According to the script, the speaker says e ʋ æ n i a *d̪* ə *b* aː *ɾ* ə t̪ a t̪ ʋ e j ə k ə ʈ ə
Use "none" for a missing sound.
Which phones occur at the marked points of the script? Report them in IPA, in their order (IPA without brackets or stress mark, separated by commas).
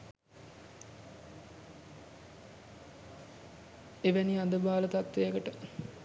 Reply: d̪, b, l